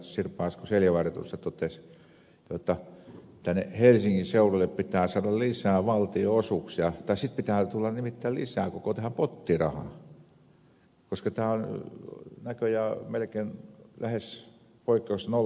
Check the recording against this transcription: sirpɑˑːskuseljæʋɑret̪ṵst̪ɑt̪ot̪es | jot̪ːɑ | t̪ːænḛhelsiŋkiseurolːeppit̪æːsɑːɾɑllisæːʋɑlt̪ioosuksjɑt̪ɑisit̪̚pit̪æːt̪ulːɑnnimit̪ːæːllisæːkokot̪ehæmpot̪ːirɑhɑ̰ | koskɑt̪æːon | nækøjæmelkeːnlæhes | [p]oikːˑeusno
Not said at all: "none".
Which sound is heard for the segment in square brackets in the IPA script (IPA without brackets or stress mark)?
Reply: p